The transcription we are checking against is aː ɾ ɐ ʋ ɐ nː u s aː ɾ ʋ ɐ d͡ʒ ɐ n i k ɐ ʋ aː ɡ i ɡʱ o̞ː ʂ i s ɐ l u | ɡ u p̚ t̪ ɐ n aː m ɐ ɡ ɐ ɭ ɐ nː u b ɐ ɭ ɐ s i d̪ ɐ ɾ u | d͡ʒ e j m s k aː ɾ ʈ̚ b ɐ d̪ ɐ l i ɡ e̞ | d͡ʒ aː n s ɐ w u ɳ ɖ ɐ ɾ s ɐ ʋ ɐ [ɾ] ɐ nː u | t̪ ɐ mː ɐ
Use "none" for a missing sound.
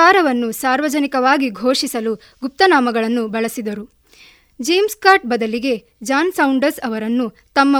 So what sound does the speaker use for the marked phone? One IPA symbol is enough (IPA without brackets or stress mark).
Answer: ɾ